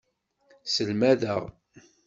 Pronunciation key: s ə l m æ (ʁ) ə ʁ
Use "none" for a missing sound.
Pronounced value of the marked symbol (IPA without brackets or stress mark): ð